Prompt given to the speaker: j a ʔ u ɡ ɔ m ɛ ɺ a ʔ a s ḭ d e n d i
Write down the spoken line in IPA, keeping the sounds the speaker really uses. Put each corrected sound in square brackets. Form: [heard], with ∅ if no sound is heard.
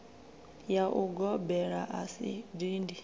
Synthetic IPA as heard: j a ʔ u ɡ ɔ [b] ɛ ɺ a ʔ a s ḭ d [i] n d i

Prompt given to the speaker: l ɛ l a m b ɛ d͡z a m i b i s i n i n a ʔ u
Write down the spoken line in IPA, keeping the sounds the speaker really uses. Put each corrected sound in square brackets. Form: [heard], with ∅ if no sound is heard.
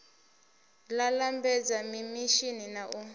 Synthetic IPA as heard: l [a] l a m b ɛ d͡z a m i [m] i [ʃ] i n i n a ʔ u

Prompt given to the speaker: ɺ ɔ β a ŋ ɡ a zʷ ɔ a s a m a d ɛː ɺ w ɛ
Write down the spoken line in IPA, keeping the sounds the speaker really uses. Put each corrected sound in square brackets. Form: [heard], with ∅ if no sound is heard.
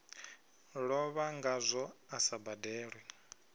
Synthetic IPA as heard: ɺ ɔ β a ŋ ɡ a zʷ ɔ a s a [b] a d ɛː ɺ w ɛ

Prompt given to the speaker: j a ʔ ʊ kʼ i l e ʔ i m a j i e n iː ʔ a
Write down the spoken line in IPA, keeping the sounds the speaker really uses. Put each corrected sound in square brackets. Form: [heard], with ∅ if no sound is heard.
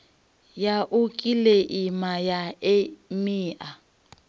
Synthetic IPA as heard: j a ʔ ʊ kʼ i l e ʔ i m a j [a] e [m] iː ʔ a

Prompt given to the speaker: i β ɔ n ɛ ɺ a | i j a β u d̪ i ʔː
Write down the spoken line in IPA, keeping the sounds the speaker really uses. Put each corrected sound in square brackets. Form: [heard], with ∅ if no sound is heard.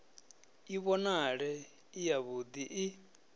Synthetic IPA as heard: i β ɔ n [a] ɺ [ɛ] | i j a β u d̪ i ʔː

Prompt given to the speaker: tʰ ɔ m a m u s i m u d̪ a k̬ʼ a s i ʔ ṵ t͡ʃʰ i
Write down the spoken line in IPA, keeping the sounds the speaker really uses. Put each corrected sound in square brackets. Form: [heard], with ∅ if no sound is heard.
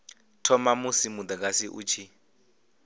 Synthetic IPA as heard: tʰ ɔ m a m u s i m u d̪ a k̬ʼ a s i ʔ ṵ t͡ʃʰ i

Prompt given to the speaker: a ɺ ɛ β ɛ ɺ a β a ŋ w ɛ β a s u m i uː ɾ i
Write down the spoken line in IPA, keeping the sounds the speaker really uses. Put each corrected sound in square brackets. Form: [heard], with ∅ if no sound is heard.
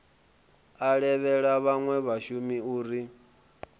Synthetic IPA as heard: a ɺ ɛ β ɛ ɺ a β a ŋ w ɛ β a [ʃ] u m i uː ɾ i

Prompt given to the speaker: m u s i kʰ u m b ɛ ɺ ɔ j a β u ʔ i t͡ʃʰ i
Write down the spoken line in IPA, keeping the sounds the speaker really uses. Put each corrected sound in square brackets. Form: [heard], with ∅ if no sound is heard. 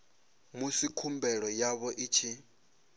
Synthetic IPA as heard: m u s i kʰ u m b ɛ ɺ ɔ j a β [ɔ] ʔ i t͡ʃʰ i

